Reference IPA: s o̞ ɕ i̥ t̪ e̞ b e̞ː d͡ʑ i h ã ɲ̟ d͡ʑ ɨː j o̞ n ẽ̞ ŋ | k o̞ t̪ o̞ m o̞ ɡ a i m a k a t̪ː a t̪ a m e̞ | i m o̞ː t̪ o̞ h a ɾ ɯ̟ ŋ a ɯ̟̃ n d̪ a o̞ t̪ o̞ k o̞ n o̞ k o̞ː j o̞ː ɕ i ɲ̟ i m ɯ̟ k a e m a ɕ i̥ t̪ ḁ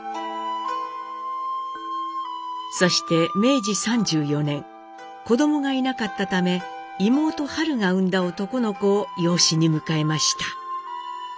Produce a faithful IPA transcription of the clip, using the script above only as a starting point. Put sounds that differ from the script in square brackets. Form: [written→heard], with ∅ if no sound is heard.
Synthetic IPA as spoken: s o̞ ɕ i̥ t̪ e̞ [b→m] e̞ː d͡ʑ i [h→s] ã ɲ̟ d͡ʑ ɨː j o̞ n ẽ̞ ŋ | k o̞ [t̪→d̪] o̞ m o̞ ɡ a i [m→n] a k a t̪ː a t̪ a m e̞ | i m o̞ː t̪ o̞ h a ɾ ɯ̟ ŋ a ɯ̟̃ n d̪ a o̞ t̪ o̞ k o̞ n o̞ k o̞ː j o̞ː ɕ i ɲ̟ i m ɯ̟ k a e m a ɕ i̥ t̪ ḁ